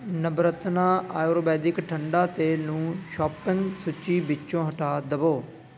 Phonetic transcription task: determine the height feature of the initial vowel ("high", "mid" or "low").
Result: mid